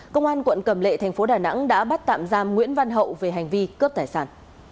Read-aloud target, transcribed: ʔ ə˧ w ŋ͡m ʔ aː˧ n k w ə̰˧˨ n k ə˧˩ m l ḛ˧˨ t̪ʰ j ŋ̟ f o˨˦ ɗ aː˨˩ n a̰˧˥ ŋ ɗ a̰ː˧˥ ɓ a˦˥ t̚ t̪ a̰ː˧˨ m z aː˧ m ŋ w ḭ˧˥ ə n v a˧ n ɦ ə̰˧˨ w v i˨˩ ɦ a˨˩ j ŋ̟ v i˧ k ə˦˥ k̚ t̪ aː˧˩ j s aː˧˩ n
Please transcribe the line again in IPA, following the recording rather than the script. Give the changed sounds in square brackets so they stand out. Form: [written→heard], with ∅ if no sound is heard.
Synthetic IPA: [ʔ→k] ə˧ w ŋ͡m ʔ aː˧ n k w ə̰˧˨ n k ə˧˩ m l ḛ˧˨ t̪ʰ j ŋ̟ f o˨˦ ɗ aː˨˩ n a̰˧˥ ŋ ɗ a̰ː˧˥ ɓ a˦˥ t̚ t̪ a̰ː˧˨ m z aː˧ m ŋ w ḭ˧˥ ə n v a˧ n ɦ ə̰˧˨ w v [i˨˩→e˨˩] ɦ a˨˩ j ŋ̟ v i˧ k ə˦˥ [k̚→p̚] t̪ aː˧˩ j s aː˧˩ n

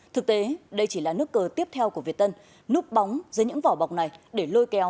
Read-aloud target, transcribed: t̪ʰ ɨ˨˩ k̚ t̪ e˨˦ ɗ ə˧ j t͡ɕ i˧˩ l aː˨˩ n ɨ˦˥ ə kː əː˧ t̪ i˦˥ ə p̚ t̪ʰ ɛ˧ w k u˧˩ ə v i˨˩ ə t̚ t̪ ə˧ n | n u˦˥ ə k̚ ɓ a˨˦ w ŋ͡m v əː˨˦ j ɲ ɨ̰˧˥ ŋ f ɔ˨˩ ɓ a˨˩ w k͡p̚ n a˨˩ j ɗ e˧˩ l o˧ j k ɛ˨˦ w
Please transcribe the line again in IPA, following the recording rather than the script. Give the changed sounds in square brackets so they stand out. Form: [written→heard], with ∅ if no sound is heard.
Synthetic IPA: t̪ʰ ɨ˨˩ k̚ t̪ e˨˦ ɗ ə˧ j t͡ɕ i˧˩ l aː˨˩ n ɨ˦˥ ə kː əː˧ t̪ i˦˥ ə p̚ t̪ʰ ɛ˧ w k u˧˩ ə v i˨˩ ə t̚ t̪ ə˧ n | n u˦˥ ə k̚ ɓ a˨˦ w ŋ͡m [v→z] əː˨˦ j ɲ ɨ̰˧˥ ŋ [f→v] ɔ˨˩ ɓ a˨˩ w k͡p̚ n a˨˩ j ɗ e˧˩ l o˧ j k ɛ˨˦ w

